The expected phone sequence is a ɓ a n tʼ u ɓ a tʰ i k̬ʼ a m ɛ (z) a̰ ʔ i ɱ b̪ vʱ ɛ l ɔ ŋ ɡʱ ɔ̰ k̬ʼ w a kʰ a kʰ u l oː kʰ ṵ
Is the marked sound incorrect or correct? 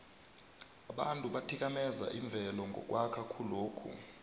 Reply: correct